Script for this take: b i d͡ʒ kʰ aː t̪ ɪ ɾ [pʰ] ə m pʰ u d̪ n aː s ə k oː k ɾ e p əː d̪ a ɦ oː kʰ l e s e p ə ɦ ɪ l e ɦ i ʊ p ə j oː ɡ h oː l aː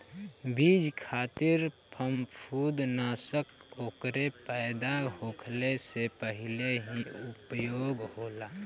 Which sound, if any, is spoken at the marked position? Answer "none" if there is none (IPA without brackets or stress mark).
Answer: pʰ